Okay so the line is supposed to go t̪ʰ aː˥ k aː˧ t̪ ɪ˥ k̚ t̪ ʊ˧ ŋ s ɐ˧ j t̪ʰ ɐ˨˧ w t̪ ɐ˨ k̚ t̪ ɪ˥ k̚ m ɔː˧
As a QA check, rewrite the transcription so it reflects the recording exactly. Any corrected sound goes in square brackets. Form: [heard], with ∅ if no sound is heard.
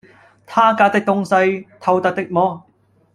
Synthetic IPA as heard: t̪ʰ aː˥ k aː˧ t̪ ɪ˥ k̚ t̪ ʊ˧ ŋ s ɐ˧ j t̪ʰ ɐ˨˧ w t̪ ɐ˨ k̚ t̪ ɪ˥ k̚ m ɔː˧

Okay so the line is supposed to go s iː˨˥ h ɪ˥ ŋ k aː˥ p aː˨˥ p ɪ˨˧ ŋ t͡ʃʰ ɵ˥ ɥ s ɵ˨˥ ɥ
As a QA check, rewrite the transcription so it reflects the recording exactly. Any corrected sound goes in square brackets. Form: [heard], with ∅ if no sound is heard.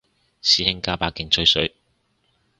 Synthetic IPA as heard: s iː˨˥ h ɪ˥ ŋ k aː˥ p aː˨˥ [k] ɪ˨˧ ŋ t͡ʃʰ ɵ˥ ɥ s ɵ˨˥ ɥ

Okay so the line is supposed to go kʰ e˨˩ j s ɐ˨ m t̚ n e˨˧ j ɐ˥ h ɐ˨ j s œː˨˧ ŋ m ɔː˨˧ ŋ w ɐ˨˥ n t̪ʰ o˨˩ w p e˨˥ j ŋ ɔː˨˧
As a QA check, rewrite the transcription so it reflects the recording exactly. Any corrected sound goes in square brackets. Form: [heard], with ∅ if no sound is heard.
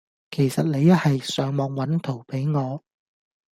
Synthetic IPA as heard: kʰ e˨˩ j s ɐ˨ [∅] t̚ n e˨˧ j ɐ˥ h ɐ˨ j s œː˨˧ ŋ m ɔː˨˧ ŋ w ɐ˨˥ n t̪ʰ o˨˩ w p e˨˥ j ŋ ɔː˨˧

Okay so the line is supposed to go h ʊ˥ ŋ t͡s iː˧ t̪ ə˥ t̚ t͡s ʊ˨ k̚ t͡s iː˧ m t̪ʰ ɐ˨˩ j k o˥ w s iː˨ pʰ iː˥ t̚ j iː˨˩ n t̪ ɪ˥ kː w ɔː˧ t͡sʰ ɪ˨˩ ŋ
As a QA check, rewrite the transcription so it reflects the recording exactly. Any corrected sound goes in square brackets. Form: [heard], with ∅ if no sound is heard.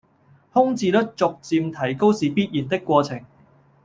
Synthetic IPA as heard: h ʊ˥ ŋ t͡s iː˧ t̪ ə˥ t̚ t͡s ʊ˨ k̚ t͡s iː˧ m t̪ʰ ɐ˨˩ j k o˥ w s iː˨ [p] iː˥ t̚ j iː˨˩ n t̪ ɪ˥ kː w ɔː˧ t͡sʰ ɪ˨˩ ŋ

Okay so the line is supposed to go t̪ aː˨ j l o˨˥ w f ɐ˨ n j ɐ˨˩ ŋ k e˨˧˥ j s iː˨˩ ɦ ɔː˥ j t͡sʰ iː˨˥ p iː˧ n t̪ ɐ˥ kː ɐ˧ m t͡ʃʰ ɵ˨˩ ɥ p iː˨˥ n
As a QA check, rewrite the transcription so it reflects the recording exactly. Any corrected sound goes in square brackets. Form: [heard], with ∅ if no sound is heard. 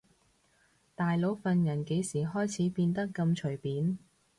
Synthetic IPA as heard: t̪ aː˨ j l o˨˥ w f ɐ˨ n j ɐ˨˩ [n] k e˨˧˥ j s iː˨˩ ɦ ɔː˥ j t͡sʰ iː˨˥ p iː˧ n t̪ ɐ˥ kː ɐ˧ m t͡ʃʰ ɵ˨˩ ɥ p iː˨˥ n

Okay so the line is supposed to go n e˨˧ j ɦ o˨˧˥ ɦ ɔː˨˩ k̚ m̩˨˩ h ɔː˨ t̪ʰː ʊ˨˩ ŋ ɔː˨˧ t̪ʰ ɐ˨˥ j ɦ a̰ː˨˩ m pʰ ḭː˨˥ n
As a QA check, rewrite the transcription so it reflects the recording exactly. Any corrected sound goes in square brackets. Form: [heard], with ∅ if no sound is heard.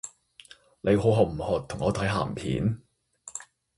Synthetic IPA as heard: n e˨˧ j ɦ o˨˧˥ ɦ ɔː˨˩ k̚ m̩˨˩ h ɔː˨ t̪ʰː ʊ˨˩ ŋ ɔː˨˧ t̪ʰ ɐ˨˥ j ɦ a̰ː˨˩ m pʰ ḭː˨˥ n

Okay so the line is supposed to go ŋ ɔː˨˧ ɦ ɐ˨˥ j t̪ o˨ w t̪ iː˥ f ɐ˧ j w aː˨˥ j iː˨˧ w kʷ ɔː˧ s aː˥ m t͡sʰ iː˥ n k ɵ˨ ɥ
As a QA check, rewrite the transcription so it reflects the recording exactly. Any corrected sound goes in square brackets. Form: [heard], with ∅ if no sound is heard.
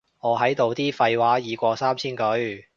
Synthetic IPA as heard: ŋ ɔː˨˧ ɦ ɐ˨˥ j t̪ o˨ w t̪ iː˥ f ɐ˧ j w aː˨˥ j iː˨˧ [∅] kʷ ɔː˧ s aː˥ m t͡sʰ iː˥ n k [ɵ˨˥] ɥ

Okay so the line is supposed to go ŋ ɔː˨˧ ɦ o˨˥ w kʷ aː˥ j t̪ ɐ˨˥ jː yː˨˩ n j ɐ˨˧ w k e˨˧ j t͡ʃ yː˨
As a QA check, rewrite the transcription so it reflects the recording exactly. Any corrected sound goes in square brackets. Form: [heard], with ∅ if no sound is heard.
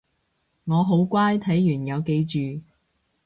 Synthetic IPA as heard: ŋ ɔː˨˧ ɦ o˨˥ w kʷ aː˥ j [t̪ʰ] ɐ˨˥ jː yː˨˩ n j ɐ˨˧ w k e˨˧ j t͡ʃ yː˨

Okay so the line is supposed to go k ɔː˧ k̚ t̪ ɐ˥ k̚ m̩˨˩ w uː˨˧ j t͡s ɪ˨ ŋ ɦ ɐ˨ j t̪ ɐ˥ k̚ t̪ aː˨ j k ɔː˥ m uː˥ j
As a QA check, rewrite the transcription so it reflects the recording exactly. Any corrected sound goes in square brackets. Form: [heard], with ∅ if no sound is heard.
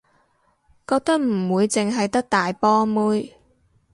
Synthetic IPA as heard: k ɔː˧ k̚ t̪ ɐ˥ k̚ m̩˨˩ w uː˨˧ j t͡s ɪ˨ ŋ ɦ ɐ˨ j t̪ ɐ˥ k̚ t̪ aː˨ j [p] ɔː˥ m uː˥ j

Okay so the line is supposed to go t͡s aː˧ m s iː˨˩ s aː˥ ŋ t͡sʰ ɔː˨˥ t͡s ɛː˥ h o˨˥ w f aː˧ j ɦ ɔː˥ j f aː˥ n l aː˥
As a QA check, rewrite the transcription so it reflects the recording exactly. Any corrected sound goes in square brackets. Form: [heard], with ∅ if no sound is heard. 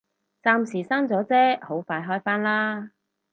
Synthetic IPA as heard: t͡s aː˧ m s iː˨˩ s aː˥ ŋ [t͡s] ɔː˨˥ t͡s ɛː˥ h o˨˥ w f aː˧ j ɦ ɔː˥ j f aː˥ n l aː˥

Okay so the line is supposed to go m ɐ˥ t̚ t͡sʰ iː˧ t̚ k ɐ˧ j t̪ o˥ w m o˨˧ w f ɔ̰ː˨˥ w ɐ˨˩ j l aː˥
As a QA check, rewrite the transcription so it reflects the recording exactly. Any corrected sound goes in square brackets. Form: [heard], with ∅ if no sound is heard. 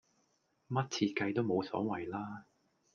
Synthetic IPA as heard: m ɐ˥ t̚ t͡sʰ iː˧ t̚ k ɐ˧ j t̪ o˥ w m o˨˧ w [s] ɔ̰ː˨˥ w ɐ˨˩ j l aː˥

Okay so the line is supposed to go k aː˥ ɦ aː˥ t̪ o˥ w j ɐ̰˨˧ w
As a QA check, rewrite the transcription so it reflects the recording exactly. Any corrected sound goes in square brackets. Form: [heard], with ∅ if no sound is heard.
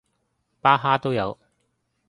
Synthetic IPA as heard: [p] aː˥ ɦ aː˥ t̪ o˥ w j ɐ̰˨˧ w

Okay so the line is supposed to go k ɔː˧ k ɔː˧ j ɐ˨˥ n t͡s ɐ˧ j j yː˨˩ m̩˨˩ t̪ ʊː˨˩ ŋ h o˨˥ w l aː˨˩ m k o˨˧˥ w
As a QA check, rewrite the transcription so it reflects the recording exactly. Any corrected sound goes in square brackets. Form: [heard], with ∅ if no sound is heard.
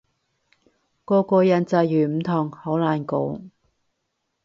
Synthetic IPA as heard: k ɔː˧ k ɔː˧ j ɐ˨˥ n t͡s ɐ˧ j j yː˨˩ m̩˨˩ [t̪ʰ] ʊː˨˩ ŋ h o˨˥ w l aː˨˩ [n] k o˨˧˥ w

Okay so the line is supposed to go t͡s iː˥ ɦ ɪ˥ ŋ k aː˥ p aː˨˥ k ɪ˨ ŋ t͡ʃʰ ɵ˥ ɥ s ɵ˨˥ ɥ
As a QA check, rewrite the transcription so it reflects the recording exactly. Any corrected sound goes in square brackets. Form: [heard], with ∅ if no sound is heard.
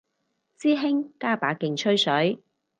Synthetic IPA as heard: t͡s iː˥ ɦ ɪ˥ ŋ k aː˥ p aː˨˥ k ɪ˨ ŋ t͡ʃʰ ɵ˥ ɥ s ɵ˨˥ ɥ

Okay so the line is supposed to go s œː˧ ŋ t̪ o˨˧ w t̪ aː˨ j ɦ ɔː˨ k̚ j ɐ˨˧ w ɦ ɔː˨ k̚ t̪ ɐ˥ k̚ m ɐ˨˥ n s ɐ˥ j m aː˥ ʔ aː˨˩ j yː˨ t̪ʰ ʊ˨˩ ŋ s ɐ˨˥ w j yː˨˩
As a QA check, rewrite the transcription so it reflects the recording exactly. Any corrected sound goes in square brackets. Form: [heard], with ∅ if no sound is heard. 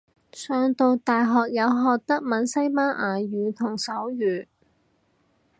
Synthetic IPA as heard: s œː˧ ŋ t̪ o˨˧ w t̪ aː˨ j ɦ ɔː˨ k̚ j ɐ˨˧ w ɦ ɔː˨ k̚ t̪ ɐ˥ k̚ m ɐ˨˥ n s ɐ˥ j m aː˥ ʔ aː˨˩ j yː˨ t̪ʰ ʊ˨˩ ŋ s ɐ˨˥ w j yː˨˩

